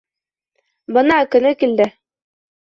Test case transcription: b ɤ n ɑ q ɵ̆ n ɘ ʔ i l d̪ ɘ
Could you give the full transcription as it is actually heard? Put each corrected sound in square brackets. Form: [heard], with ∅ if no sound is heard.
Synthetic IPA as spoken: b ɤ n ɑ [k] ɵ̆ n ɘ [k] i l d̪ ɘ